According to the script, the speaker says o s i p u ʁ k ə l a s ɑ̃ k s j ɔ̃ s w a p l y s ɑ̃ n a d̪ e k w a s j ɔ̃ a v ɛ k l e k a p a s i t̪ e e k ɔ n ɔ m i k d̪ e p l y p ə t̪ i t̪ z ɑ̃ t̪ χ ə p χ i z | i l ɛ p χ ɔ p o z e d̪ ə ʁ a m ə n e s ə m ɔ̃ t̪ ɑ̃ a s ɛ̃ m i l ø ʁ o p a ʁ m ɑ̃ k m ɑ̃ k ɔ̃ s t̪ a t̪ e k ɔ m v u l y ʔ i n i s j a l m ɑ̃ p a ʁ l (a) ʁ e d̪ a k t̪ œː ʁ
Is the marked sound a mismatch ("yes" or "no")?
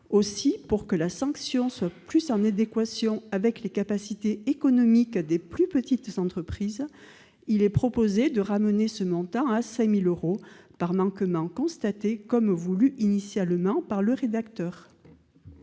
yes